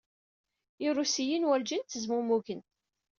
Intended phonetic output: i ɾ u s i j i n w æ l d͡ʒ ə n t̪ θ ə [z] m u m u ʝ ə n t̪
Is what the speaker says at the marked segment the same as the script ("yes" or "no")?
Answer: yes